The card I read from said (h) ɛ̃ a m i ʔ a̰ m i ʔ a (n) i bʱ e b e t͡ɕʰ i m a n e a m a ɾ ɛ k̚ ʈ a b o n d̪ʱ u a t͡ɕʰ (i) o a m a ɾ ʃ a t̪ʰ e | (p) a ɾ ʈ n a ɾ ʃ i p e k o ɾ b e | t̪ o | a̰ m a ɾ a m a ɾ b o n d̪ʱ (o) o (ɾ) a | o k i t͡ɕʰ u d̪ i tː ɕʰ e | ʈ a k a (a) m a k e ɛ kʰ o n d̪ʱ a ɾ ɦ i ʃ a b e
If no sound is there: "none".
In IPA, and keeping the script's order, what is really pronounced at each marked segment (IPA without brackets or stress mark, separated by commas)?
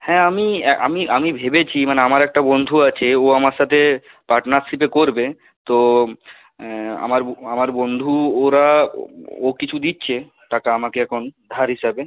h, m, e, p, u, ɾ, a